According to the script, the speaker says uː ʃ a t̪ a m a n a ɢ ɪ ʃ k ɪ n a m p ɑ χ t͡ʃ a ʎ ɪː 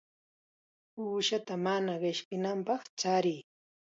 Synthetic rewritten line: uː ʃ a t̪ a m a n a ɢ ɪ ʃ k ɪ n a m p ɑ χ t͡ʃ a ɾ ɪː